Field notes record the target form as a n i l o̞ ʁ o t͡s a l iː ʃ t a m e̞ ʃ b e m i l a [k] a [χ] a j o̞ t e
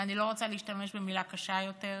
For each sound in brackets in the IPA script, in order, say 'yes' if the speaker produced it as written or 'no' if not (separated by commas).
yes, no